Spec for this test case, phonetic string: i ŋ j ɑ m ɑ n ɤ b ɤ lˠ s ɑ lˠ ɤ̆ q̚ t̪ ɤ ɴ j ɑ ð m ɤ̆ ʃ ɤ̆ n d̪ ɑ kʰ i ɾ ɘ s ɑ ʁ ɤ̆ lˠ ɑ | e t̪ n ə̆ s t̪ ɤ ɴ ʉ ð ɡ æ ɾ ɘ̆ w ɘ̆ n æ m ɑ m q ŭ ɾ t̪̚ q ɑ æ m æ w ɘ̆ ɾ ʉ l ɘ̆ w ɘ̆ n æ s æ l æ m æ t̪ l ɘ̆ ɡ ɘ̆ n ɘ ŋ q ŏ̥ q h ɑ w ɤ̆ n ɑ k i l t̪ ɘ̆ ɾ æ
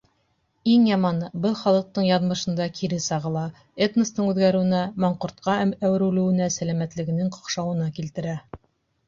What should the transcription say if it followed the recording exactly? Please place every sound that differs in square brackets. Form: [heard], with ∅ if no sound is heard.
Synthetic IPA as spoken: i ŋ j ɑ m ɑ n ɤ b ɤ lˠ [χ] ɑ lˠ ɤ̆ q̚ t̪ ɤ ɴ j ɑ ð m ɤ̆ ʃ ɤ̆ n d̪ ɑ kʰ i ɾ ɘ s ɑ ʁ ɤ̆ lˠ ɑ | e t̪ n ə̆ s t̪ ɤ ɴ ʉ ð ɡ æ ɾ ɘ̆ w ɘ̆ n æ m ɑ [ɴ] q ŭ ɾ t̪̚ q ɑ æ m æ w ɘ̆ ɾ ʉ l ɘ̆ w ɘ̆ n æ s æ l æ m æ t̪ l ɘ̆ ɡ ɘ̆ n ɘ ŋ q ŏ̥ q [ʃ] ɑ w ɤ̆ n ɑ k i l t̪ ɘ̆ ɾ æ

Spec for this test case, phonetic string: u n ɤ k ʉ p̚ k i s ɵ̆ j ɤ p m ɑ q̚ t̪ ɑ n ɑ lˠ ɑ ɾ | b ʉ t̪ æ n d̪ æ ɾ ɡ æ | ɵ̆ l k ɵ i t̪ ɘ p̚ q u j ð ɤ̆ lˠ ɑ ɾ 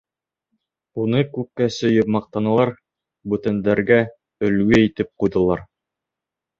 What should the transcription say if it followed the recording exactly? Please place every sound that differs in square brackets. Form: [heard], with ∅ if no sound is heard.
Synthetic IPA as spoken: u n ɤ k ʉ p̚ k [æ] s ɵ̆ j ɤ p m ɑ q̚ t̪ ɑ n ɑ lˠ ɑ ɾ | b ʉ t̪ æ n d̪ æ ɾ ɡ æ | ɵ̆ l [ɡ] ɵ i t̪ ɘ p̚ q u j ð ɤ̆ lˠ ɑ ɾ

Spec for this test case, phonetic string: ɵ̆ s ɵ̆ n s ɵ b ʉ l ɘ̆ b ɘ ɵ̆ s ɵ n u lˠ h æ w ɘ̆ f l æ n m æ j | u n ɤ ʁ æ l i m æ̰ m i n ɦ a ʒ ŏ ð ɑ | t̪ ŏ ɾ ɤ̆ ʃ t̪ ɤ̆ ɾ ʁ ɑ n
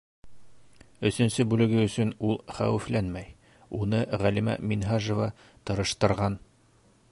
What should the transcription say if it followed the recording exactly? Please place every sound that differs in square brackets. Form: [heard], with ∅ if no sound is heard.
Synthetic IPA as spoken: ɵ̆ s ɵ̆ n s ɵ b ʉ l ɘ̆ [ɡ] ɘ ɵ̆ s ɵ n u lˠ [χ] æ w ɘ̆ f l æ n m æ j | u n ɤ ʁ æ l i m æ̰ m i n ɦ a ʒ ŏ [v] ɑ | t̪ [ɤ̆] ɾ ɤ̆ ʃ t̪ ɤ̆ ɾ ʁ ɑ n

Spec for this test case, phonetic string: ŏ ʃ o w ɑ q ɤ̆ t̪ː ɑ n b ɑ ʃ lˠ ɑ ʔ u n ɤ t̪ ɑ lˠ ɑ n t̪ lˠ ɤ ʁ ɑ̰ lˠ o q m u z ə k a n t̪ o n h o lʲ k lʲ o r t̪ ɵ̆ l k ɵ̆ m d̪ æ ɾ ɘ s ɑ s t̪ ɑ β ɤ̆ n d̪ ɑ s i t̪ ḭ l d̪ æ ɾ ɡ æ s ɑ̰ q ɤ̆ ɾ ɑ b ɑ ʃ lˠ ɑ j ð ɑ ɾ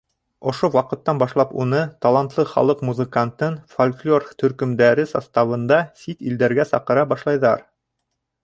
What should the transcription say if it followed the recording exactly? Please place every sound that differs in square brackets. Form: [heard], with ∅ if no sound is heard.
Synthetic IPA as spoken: ŏ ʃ o w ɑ q ɤ̆ t̪ː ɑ n b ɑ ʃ lˠ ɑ [p] u n ɤ t̪ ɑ lˠ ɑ n t̪ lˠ ɤ [χ] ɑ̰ lˠ [ɤ] q m u z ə k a n t̪ [ɤ] n [f] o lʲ k lʲ o r t̪ ɵ̆ [ɾ] k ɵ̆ m d̪ æ ɾ ɘ s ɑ s t̪ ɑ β ɤ̆ n d̪ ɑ s i t̪ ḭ l d̪ æ ɾ ɡ æ s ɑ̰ q ɤ̆ ɾ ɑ b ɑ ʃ lˠ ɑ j ð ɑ ɾ

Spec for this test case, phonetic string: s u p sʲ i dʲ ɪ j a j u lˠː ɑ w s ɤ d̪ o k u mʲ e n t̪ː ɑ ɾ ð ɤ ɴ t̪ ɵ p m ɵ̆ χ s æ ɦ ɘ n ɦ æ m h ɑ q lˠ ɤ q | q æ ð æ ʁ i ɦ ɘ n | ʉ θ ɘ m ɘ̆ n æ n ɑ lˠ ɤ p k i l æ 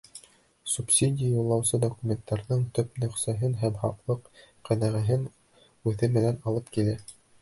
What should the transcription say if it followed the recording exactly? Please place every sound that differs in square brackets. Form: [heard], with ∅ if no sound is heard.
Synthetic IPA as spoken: s u p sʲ i dʲ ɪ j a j u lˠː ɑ w s ɤ d̪ o k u mʲ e n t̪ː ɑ ɾ ð ɤ ɴ t̪ ɵ p [n] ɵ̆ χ s æ ɦ ɘ n ɦ æ m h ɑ q lˠ ɤ q | q æ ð æ ʁ [æ] ɦ ɘ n | ʉ θ ɘ m ɘ̆ n æ n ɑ lˠ ɤ p k i l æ

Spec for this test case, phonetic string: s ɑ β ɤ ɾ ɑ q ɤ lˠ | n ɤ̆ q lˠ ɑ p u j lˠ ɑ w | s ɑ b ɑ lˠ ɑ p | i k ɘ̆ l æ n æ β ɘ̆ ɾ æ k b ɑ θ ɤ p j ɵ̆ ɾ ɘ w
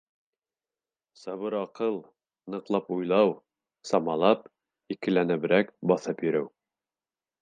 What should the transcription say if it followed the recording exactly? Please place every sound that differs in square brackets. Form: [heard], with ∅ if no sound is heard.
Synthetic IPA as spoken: s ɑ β ɤ ɾ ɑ q ɤ lˠ | n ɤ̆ q lˠ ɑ p u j lˠ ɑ w | s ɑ [m] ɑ lˠ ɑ p | i k ɘ̆ l æ n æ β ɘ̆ ɾ æ k b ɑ θ ɤ p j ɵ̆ ɾ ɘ w

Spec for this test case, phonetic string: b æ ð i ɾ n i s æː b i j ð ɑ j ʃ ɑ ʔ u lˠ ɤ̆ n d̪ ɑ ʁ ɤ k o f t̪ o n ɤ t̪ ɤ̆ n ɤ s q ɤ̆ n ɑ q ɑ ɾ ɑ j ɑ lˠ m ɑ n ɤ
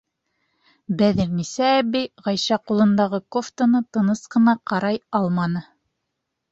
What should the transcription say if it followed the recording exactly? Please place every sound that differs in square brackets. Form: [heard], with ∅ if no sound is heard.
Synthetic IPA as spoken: b æ ð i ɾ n i s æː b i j [ʁ] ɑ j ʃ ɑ [q] u lˠ ɤ̆ n d̪ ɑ ʁ ɤ k o f t̪ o n ɤ t̪ ɤ̆ n ɤ s q ɤ̆ n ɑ q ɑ ɾ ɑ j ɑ lˠ m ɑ n ɤ

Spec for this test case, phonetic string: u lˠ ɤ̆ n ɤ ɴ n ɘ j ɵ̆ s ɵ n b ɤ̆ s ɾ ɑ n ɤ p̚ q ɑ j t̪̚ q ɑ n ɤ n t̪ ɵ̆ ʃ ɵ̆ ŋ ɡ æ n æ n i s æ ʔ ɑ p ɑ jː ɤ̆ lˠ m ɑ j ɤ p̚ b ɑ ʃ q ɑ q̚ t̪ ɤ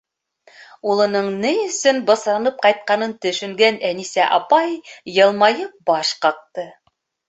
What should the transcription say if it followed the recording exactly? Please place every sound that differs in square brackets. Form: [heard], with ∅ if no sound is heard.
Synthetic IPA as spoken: u lˠ ɤ̆ n ɤ ɴ n ɘ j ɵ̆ s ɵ n b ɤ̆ s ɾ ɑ n ɤ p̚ q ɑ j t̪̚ q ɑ n ɤ n t̪ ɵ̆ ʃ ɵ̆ ŋ ɡ æ n æ n i s æ ʔ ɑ p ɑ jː ɤ̆ lˠ m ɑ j ɤ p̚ b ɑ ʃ q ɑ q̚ t̪ ɤ

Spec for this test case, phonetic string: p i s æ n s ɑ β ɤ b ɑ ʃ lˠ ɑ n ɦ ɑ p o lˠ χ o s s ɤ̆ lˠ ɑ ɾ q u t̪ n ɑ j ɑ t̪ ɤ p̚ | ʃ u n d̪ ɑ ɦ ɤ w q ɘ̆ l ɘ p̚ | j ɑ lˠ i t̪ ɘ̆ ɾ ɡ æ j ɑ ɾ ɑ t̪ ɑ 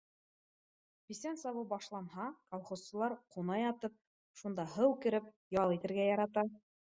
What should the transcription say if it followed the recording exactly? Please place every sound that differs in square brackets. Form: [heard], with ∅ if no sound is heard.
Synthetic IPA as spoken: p i s æ n s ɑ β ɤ b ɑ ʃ lˠ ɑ n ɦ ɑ [k] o lˠ χ o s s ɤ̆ lˠ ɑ ɾ q u [∅] n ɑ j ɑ t̪ ɤ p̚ | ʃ u n d̪ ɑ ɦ ɤ w [k] ɘ̆ [ɾ] ɘ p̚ | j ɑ lˠ i t̪ ɘ̆ ɾ ɡ æ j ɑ ɾ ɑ t̪ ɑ

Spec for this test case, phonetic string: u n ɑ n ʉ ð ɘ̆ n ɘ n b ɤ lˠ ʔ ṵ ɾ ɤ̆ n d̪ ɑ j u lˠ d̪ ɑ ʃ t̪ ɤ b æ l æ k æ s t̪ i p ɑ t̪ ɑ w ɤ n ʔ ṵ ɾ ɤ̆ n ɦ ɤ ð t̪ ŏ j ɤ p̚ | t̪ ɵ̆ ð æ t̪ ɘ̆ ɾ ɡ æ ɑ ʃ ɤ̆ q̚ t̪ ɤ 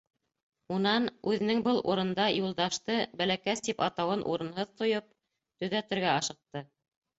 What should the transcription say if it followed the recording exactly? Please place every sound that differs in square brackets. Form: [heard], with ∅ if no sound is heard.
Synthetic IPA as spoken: u n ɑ n ʉ ð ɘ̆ n ɘ [ŋ] b ɤ lˠ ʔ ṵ ɾ ɤ̆ n d̪ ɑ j u lˠ d̪ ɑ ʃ t̪ ɤ b æ l æ k æ s t̪ i p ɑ t̪ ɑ w ɤ n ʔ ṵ ɾ ɤ̆ n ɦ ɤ ð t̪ ŏ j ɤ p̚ | t̪ ɵ̆ ð æ t̪ ɘ̆ ɾ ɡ æ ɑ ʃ ɤ̆ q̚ t̪ ɤ

